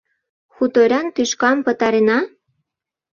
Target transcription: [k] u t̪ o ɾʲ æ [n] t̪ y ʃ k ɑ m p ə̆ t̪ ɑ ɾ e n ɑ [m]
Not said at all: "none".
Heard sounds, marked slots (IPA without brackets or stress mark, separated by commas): x, n, none